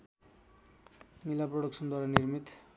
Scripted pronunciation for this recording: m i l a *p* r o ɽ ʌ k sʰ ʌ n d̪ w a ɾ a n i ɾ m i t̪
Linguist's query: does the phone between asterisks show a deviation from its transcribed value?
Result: no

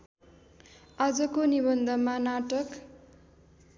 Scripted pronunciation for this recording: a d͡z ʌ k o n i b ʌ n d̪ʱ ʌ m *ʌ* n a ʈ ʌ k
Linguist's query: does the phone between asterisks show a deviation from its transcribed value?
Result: yes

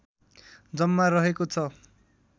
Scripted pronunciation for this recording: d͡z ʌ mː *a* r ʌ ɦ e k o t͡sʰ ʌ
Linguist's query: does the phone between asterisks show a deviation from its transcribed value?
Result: no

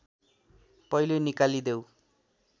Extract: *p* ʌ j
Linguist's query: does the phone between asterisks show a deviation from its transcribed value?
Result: no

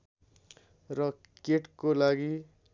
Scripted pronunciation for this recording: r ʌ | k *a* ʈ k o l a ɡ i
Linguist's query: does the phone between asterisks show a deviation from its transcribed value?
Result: yes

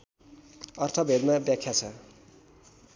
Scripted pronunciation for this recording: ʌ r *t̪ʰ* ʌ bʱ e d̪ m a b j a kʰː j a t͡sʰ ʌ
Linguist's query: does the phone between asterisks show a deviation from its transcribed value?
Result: no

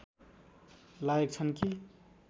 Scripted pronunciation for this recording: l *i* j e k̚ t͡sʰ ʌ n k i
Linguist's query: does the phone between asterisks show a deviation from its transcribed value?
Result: yes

